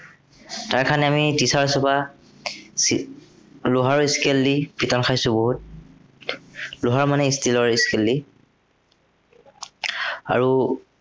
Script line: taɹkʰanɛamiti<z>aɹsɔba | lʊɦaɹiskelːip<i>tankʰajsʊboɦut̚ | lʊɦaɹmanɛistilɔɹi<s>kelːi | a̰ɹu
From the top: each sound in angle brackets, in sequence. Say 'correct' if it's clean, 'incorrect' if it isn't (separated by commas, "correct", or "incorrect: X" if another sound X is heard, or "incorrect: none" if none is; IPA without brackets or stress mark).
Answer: incorrect: s, correct, correct